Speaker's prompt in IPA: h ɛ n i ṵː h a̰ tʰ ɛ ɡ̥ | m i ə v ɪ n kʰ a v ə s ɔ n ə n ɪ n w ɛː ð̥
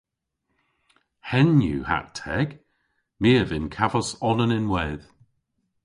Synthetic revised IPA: h ɛ n j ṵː h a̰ tʰ ɛ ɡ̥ | m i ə v ɪ n kʰ a v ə s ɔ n ə n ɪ n w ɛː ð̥

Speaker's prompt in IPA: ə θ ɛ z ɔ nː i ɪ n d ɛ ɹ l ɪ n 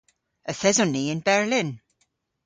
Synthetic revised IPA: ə θ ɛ z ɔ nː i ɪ n b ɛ ɹ l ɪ n

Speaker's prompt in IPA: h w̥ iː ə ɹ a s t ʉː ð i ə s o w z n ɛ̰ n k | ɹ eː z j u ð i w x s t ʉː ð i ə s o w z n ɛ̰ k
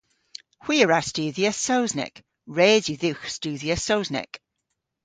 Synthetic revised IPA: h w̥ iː ə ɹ a s t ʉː ð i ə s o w z n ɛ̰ k | ɹ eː z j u ð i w x s t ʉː ð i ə s o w z n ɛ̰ k

